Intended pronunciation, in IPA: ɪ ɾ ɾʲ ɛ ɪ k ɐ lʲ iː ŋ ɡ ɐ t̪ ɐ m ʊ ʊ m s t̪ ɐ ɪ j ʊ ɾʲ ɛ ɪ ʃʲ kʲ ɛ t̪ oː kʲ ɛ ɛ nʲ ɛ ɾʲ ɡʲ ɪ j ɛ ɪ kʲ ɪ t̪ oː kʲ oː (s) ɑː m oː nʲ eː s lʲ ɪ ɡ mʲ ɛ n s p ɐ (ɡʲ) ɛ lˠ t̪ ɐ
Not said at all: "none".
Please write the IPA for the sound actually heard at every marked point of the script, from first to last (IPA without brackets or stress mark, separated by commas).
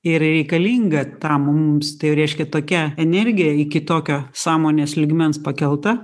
s, kʲ